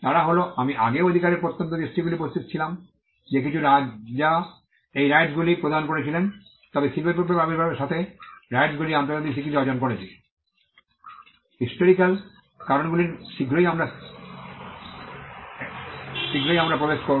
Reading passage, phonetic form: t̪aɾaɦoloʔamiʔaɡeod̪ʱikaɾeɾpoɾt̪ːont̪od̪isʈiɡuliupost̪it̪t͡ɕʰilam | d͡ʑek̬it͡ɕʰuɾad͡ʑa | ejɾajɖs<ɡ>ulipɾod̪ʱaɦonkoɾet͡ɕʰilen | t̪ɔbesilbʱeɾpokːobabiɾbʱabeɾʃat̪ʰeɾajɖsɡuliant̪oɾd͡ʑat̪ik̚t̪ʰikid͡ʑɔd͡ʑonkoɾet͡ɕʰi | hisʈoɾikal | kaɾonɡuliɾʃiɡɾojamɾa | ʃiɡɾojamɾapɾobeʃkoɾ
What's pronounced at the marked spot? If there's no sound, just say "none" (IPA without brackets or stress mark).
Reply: ɡ